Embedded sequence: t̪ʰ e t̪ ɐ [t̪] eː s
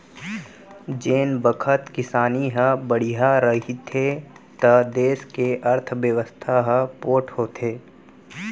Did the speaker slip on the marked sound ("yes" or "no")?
yes